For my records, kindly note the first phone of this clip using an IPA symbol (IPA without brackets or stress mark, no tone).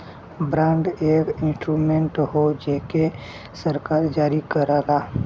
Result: b